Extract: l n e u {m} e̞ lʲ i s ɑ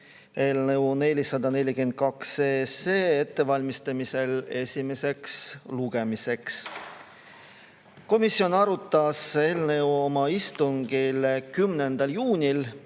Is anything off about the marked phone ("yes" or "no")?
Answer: yes